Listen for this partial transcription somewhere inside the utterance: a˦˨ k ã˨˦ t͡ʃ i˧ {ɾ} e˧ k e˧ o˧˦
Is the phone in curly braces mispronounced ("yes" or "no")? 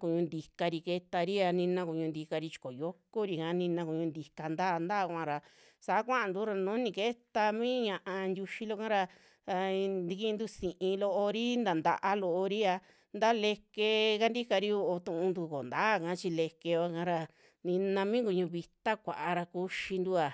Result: yes